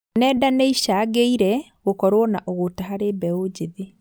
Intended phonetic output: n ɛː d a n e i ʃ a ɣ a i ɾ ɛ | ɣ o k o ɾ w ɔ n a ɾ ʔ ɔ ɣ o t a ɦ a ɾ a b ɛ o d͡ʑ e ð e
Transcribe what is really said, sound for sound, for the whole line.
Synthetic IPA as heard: n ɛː d a n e i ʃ a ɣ e i ɾ ɛ | ɣ o k ɔ ɾ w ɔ n a ʔ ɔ ɣ o t a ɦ a ɾ e b ɛ o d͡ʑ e ð e